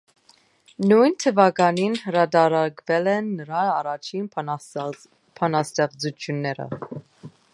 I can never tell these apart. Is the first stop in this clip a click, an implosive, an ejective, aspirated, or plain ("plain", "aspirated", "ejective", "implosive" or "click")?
aspirated